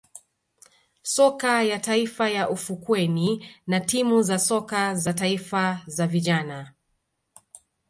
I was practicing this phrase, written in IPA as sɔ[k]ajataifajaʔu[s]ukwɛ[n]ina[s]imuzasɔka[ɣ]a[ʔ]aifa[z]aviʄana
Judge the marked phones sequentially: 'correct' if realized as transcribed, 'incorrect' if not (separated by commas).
correct, incorrect, correct, incorrect, incorrect, incorrect, correct